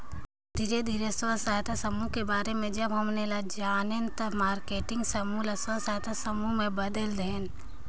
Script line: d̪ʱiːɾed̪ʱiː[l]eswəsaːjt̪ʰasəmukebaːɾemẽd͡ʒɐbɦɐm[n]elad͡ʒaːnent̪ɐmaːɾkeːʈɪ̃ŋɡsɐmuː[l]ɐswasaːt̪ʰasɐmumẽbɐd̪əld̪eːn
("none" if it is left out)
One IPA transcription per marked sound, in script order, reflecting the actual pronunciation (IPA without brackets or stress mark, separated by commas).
ɾ, n, l